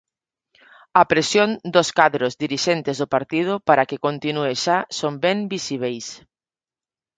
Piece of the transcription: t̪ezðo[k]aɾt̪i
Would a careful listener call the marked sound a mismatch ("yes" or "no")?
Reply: yes